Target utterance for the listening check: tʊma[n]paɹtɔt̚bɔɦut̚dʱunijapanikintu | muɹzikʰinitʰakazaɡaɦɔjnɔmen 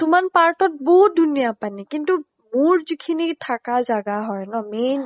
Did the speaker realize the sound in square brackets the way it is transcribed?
yes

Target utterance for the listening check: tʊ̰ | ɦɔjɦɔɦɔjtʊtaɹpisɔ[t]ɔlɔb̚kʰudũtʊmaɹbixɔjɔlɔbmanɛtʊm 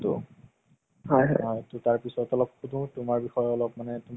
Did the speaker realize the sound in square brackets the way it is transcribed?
yes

